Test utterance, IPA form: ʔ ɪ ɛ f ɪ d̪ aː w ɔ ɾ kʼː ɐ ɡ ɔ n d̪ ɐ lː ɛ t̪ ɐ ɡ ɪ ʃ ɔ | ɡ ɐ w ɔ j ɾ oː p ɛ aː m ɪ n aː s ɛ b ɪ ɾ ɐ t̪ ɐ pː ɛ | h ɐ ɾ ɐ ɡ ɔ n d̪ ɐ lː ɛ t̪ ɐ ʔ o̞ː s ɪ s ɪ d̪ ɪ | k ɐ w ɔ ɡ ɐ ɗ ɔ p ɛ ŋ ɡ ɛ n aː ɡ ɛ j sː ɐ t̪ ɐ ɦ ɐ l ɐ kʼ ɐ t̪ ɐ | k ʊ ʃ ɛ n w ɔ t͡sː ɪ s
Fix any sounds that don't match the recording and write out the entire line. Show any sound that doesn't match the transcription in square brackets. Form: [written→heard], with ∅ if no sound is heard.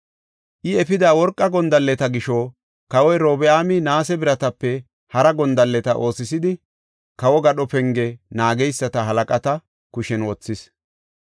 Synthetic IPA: ʔ ɪ ɛ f ɪ d̪ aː w ɔ ɾ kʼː ɐ ɡ ɔ n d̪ ɐ lː ɛ t̪ ɐ ɡ ɪ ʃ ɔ | [ɡ→k] ɐ w ɔ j ɾ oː [p→b] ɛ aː m ɪ n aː s ɛ b ɪ ɾ ɐ t̪ ɐ pː ɛ | h ɐ ɾ ɐ ɡ ɔ n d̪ ɐ lː ɛ t̪ ɐ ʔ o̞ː s ɪ s ɪ d̪ ɪ | k ɐ w ɔ ɡ ɐ ɗ ɔ p ɛ ŋ ɡ ɛ n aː ɡ ɛ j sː ɐ t̪ ɐ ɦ ɐ l ɐ kʼ ɐ t̪ ɐ | k ʊ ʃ ɛ n w ɔ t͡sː ɪ s